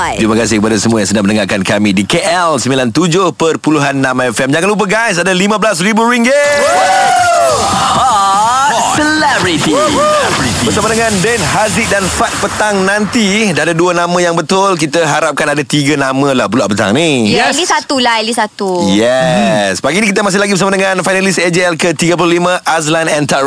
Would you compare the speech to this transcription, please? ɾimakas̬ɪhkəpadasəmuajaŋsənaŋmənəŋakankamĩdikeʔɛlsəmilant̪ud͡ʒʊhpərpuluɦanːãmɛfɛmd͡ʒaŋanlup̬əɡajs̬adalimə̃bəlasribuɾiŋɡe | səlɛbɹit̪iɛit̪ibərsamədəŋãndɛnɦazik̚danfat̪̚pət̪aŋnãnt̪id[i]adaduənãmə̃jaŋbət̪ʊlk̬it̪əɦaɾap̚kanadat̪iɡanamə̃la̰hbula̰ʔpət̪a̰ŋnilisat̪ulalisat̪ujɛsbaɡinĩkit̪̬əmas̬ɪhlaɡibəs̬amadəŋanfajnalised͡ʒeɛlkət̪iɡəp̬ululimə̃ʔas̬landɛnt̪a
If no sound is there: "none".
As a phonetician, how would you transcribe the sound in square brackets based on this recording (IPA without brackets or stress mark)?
a